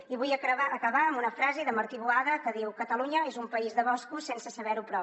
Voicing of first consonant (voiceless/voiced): voiced